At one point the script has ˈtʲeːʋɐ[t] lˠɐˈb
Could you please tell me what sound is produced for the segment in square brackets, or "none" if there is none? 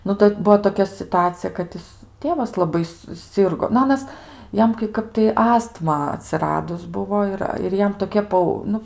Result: s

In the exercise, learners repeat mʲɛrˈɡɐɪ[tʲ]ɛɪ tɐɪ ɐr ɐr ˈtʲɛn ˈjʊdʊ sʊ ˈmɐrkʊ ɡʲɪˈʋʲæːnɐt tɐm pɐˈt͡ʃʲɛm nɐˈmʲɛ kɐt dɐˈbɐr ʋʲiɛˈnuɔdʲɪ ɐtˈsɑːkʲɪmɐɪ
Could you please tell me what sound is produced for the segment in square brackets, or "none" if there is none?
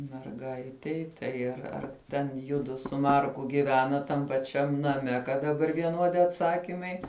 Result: tʲ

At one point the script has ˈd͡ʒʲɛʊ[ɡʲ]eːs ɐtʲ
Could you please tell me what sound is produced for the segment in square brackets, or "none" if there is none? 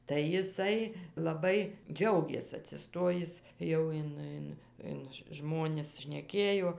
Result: ɡʲ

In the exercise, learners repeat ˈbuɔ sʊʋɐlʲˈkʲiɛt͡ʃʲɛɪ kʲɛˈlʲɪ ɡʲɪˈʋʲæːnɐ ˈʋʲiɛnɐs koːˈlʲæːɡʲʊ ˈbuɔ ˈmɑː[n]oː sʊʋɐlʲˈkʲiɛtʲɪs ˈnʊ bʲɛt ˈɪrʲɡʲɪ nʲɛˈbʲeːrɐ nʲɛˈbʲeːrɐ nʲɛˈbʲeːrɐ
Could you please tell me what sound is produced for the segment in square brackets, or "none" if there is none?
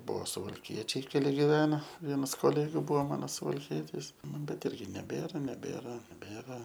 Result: n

